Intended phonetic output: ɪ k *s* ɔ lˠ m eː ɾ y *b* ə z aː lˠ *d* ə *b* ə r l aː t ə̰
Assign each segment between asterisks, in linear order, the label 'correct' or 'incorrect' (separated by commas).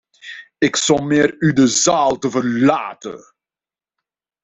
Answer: correct, incorrect, incorrect, incorrect